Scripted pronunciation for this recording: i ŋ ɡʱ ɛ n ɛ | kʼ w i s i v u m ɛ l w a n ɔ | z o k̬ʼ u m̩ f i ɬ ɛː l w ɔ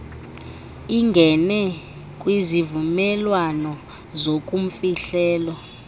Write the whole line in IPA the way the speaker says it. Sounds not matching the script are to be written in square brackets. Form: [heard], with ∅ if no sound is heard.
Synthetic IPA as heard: i ŋ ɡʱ ɛ n ɛ | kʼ w i [z] i v u m ɛ l w a n ɔ | z o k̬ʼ u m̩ f i ɬ ɛː l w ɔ